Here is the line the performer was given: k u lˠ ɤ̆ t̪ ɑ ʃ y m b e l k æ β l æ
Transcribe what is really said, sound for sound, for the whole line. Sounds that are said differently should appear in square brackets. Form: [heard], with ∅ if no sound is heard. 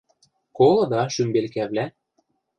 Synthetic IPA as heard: k [o] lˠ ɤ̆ [d̪] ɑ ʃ y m b e l k æ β l æ